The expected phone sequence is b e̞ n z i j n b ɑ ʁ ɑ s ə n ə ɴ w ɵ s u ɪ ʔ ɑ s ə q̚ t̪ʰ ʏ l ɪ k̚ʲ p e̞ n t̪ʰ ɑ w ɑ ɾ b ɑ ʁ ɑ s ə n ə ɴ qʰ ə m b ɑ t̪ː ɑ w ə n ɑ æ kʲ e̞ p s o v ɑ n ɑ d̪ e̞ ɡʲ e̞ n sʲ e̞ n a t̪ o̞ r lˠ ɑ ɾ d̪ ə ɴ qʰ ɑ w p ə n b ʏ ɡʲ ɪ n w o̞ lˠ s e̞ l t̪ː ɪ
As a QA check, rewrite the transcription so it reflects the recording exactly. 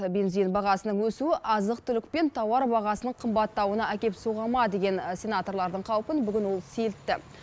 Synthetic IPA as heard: b e̞ n z i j n b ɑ ʁ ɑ s ə n ə ɴ w ɵ s u ɪ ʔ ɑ z ə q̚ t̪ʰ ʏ l ɪ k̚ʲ p e̞ n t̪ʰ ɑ w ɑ ɾ b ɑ ʁ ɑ s ə n ə ɴ qʰ ə m b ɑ t̪ː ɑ w ə n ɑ æ kʲ e̞ p s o ʁ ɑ m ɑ d̪ e̞ ɡʲ e̞ n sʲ e̞ n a t̪ o̞ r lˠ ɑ ɾ d̪ ə ɴ qʰ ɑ w p ə n b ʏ ɡʲ ɪ n w o̞ lˠ s e̞ l t̪ː ɪ

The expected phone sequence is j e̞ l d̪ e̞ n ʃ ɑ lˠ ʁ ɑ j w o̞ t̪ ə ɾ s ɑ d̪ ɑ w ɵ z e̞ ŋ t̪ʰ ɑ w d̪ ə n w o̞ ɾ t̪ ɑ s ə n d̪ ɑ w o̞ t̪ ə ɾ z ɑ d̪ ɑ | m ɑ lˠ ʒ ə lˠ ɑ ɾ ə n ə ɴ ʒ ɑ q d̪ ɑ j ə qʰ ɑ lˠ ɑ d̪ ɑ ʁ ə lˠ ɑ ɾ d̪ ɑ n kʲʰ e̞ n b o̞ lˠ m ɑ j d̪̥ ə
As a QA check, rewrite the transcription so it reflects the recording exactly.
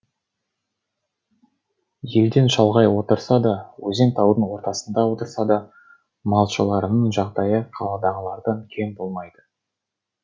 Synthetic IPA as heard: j e̞ l d̪ e̞ n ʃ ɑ lˠ ʁ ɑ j w o̞ t̪ ə ɾ s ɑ d̪ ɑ w ɵ z e̞ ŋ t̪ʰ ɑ w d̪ ə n w o̞ ɾ t̪ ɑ s ə n d̪ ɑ w o̞ t̪ ə ɾ s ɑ d̪ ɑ | m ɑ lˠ ʃ ə lˠ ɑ ɾ ə n ə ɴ ʒ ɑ q d̪ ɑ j ə qʰ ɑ lˠ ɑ d̪ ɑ ʁ ə lˠ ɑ ɾ d̪ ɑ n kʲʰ e̞ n b o̞ lˠ m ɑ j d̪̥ ə

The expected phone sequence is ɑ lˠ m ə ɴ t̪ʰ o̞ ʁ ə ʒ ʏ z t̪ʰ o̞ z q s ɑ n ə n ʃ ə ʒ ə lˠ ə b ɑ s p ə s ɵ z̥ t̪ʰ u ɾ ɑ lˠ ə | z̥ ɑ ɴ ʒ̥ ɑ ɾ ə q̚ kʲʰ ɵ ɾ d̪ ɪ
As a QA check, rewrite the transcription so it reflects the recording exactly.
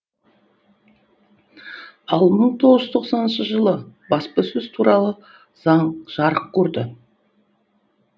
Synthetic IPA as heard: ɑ lˠ m ə ɴ t̪ʰ o̞ ʁ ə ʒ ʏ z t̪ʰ o̞ q s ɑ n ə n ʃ ə ʒ ə lˠ ə b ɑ s p ə s ɵ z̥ t̪ʰ u ɾ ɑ lˠ ə | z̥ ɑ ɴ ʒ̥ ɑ ɾ ə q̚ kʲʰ ɵ ɾ d̪ ɪ

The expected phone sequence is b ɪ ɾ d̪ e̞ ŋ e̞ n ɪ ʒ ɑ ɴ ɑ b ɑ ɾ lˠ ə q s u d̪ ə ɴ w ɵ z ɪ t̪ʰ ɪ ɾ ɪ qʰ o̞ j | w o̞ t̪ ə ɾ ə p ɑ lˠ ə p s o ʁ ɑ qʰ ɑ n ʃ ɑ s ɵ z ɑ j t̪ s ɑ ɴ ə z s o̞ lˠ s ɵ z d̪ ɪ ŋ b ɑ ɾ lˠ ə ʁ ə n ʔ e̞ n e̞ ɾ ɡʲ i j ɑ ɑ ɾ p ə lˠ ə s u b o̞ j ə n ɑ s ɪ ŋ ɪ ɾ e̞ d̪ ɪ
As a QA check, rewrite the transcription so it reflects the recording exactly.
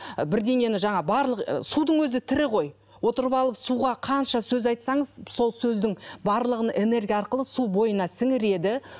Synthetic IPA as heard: b ɪ ɾ d̪ e̞ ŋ e̞ n ɪ ʒ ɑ ɴ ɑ b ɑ ɾ lˠ ə q s u d̪ ə ɴ w ɵ z ɪ t̪ʰ ɪ ɾ ɪ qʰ o̞ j | w o̞ t̪ ə ɾ ə p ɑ lˠ ə p s u ʁ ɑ qʰ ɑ n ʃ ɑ s ɵ z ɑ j t̪ s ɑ ɴ ə z s o̞ lˠ s ɵ z d̪ ɪ ŋ b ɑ ɾ lˠ ə ʁ ə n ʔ e̞ n e̞ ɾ ɡʲ i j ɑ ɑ ɾ q ə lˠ ə s u b o̞ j ə n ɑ s ɪ ŋ ɪ ɾ e̞ d̪ ɪ

